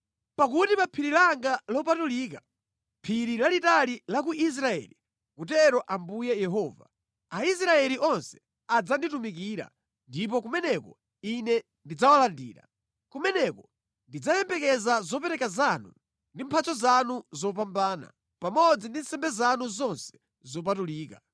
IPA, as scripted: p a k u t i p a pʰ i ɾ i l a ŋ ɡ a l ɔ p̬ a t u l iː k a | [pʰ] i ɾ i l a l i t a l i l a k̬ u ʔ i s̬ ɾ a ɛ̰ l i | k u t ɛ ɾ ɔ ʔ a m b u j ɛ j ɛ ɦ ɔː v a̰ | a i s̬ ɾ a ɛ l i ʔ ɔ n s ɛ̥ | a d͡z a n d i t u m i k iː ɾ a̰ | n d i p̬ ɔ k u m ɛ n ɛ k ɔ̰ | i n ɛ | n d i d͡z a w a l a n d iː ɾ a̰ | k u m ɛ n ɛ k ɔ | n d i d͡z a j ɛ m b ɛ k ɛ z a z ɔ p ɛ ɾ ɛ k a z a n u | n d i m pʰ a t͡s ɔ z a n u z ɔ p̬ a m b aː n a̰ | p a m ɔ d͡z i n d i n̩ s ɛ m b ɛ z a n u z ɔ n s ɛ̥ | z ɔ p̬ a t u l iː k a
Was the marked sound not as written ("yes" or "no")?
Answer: no